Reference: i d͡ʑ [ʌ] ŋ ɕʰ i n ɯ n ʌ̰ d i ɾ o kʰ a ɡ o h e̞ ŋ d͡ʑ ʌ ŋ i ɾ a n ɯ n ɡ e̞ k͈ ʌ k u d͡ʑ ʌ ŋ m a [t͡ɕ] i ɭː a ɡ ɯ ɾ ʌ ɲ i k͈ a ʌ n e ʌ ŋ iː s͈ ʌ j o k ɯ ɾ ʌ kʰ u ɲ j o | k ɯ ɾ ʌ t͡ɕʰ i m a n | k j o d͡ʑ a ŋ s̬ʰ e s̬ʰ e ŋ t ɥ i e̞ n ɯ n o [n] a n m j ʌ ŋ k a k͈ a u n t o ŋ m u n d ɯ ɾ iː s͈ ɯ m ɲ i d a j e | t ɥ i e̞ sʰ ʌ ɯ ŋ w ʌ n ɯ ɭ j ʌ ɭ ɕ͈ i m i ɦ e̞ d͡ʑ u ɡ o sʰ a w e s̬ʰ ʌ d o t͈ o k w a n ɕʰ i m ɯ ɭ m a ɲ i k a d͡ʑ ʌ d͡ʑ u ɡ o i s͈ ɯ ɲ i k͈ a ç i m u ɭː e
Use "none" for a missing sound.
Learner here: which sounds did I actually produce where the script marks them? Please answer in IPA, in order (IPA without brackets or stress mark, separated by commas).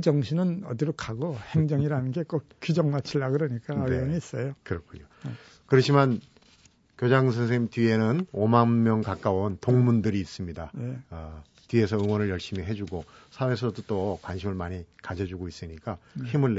ʌ, t͡ɕʰ, m